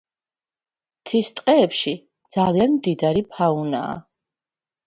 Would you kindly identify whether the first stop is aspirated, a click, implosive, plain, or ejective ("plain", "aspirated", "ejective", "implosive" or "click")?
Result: aspirated